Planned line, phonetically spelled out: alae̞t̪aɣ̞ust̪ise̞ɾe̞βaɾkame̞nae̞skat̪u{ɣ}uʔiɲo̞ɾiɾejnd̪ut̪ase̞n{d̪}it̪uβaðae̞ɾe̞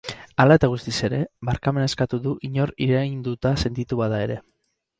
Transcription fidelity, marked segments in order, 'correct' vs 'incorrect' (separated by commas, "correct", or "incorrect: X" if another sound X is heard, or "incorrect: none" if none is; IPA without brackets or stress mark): incorrect: ð, incorrect: t̪